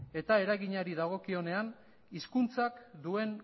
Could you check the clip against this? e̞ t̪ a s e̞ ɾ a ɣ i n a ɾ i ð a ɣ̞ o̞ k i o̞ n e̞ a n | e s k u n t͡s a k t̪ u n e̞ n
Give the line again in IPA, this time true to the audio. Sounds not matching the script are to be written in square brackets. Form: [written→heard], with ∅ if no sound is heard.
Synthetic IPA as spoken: e̞ t̪ a [s→∅] e̞ ɾ a ɣ i [n→ɲ] a ɾ i ð a ɣ̞ o̞ k i o̞ n e̞ a n | [e→i] s k u n t͡s a k [t̪→d̪] u [n→∅] e̞ n